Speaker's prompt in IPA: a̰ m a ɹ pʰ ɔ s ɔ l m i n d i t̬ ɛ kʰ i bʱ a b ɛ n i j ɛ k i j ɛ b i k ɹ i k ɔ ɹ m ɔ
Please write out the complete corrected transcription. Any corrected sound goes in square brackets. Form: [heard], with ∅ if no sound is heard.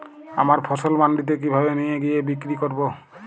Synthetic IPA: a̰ m a ɹ pʰ ɔ s ɔ l m [a] n d i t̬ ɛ [k] i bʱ a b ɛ n i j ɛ [ɡ] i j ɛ b i k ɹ i k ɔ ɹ [b] ɔ

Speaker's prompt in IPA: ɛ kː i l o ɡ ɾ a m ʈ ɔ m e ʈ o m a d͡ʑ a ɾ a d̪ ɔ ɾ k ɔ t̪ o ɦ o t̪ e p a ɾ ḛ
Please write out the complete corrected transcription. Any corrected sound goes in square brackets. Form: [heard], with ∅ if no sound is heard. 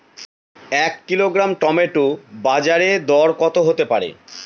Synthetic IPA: ɛ kː i l o ɡ ɾ a m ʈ ɔ m e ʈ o [b] a d͡ʑ a ɾ [e] d̪ ɔ ɾ k ɔ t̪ o ɦ o t̪ e p a ɾ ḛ

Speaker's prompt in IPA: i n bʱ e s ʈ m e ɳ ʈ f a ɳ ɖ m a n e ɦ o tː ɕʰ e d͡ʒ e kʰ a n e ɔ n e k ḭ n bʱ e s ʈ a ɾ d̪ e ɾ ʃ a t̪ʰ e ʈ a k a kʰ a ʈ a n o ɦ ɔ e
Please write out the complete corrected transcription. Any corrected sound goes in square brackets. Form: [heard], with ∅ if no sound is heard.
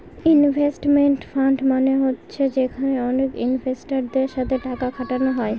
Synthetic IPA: i n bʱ e s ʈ m e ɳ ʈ f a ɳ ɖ m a n e ɦ o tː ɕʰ e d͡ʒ e kʰ a n e ɔ n e k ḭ n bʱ e s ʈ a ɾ d̪ e ɾ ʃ a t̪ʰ e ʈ a k a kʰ a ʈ a n o ɦ ɔ e

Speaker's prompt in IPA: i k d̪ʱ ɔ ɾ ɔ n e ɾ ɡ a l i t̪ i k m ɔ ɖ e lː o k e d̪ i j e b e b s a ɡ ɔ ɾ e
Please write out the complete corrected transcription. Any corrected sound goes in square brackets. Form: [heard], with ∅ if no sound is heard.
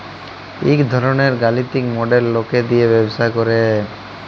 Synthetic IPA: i k d̪ʱ ɔ ɾ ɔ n e ɾ ɡ a l i t̪ i k m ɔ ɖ e lː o k e d̪ i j e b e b s a [k] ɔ ɾ e

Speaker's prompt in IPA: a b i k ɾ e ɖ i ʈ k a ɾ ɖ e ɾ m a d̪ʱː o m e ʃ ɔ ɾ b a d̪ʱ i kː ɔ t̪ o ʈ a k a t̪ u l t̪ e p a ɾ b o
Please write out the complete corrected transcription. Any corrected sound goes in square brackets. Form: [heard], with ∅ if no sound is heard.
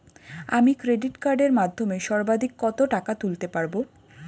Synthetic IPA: a [m] i k ɾ e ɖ i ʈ k a ɾ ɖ e ɾ m a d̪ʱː o m e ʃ ɔ ɾ b a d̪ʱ i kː ɔ t̪ o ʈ a k a t̪ u l t̪ e p a ɾ b o

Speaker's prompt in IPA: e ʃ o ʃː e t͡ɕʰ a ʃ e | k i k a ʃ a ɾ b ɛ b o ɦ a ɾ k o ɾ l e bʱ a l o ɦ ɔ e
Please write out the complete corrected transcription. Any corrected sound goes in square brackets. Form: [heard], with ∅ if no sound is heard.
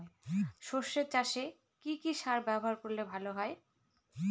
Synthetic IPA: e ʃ o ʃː e [t͡ɕ] a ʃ e | k i k [i] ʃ a ɾ b ɛ b o ɦ a ɾ k o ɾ l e bʱ a l o ɦ ɔ e

